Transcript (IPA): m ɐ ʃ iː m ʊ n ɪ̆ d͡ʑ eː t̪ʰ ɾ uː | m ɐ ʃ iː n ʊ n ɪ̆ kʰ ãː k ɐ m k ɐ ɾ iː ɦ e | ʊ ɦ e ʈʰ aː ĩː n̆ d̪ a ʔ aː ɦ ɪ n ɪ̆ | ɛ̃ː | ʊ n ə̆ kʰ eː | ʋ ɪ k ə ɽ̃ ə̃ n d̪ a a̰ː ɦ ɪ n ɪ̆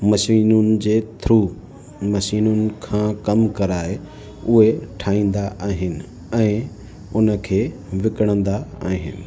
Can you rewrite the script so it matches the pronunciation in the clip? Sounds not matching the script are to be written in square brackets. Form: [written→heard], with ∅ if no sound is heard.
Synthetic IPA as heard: m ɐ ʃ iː [m→n] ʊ n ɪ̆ d͡ʑ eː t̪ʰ ɾ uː | m ɐ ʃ iː n ʊ n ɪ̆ kʰ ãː k ɐ m k ɐ ɾ [iː→aː] ɦ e | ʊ ɦ e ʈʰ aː ĩː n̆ d̪ a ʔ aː ɦ ɪ n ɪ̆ | ɛ̃ː | ʊ n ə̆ kʰ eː | ʋ ɪ k ə ɽ̃ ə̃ n d̪ a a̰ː ɦ ɪ n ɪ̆